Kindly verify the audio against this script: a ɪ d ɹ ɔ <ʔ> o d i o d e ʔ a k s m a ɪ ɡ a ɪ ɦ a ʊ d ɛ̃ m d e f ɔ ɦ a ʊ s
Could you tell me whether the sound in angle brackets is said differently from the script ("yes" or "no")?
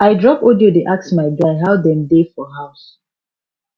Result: yes